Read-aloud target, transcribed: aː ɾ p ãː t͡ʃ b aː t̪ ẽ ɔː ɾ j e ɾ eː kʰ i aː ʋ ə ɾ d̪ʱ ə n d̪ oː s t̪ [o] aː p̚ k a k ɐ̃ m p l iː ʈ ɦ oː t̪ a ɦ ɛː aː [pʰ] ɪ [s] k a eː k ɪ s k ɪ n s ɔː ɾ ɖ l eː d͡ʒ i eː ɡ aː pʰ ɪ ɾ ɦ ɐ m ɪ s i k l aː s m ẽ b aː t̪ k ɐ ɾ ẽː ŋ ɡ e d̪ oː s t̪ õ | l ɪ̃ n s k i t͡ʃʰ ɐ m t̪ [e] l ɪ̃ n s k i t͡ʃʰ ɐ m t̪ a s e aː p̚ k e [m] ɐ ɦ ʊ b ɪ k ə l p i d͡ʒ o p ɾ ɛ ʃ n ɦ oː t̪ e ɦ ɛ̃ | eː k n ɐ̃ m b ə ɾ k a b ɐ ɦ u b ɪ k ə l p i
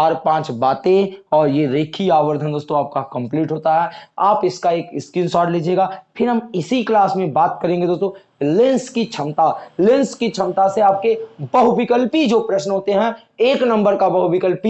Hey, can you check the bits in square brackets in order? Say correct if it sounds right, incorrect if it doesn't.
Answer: incorrect: õ, incorrect: p, correct, incorrect: a, incorrect: b

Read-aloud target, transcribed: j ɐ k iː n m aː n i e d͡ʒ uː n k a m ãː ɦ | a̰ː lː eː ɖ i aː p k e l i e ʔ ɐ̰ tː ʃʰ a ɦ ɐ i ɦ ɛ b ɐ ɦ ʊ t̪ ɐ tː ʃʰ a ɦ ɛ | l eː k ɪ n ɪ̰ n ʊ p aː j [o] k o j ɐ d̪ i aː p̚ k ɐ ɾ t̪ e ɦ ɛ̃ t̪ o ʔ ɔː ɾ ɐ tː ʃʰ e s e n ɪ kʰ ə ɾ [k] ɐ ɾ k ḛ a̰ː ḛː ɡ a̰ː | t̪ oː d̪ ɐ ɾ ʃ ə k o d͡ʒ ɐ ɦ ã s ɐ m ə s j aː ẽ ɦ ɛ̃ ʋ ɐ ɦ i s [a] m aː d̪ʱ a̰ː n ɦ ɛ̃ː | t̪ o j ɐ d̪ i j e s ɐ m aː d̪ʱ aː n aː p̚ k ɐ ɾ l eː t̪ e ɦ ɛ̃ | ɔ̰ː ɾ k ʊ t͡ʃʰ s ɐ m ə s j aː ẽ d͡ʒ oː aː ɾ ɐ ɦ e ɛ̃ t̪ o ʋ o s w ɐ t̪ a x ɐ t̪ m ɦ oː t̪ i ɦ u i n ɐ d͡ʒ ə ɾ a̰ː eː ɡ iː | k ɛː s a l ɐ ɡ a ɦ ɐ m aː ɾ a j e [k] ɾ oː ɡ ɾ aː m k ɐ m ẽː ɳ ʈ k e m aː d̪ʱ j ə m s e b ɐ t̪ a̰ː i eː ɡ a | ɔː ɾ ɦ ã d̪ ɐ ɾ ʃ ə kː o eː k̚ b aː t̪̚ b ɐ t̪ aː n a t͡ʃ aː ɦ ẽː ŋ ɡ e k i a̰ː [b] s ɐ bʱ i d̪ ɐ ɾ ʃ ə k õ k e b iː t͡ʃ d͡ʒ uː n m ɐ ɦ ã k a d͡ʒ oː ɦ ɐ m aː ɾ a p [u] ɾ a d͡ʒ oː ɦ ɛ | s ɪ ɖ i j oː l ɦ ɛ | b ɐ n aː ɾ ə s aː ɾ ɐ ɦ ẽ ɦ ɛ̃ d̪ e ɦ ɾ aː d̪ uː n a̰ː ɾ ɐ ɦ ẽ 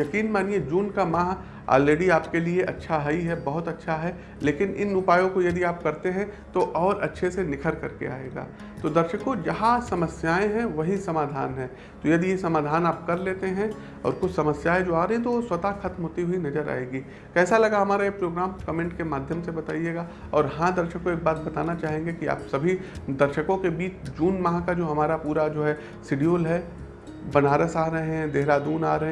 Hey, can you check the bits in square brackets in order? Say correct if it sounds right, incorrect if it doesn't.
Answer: incorrect: õ, correct, incorrect: ɐ, incorrect: p, incorrect: p, incorrect: uː

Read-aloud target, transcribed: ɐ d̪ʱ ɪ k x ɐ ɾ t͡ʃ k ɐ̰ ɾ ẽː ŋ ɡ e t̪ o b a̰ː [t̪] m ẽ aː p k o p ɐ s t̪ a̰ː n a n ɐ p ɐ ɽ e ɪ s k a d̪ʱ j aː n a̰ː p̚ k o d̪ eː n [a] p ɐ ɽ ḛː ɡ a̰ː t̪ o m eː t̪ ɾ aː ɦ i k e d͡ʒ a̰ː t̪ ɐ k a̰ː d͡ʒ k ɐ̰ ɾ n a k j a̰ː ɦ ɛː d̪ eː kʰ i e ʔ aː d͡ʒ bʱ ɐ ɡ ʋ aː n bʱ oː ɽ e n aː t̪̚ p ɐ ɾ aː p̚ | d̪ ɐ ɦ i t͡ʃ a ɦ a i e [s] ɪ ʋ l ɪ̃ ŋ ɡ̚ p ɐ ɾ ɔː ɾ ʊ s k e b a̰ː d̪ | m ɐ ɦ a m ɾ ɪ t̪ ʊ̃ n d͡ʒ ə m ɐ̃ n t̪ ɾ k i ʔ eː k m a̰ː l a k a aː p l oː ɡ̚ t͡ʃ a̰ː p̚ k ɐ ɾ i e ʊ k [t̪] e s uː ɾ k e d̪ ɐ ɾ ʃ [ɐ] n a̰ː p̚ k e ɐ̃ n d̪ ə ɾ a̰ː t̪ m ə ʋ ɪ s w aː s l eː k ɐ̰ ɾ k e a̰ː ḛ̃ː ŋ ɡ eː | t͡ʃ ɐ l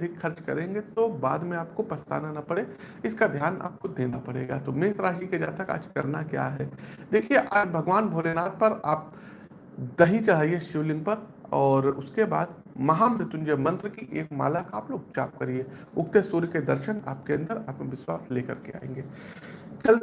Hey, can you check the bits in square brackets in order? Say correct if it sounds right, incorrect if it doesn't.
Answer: incorrect: d̪, correct, incorrect: ʃ, correct, incorrect: ə

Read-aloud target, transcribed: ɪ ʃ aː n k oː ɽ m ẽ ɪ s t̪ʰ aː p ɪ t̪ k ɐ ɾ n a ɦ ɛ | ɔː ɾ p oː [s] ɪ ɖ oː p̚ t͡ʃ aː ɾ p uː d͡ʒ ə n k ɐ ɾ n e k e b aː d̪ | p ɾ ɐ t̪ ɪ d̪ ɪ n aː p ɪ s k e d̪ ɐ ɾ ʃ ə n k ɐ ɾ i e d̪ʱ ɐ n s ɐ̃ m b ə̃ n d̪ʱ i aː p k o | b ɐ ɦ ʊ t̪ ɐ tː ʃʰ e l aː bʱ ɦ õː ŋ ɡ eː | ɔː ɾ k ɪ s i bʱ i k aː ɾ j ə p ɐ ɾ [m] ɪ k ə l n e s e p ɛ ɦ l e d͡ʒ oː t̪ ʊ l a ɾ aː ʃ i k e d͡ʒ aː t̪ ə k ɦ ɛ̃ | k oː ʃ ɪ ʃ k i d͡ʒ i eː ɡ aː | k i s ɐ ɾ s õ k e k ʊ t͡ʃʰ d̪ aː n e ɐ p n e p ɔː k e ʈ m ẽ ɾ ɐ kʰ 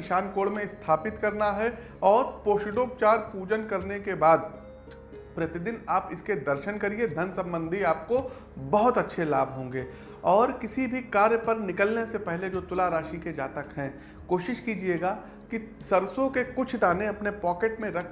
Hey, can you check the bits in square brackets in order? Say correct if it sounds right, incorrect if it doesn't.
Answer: incorrect: ʃ, incorrect: n

